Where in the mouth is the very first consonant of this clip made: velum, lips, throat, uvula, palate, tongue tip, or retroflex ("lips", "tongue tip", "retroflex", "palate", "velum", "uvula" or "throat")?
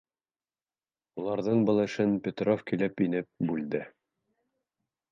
tongue tip